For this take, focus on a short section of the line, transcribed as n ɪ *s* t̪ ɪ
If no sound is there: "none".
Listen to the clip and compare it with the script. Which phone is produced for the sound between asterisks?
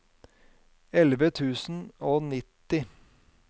none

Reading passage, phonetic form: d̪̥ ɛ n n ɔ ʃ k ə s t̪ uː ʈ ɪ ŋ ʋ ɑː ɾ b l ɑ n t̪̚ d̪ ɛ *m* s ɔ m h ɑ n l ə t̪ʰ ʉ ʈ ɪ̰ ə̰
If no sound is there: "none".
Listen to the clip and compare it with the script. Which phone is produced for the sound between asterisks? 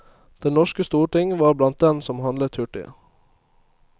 n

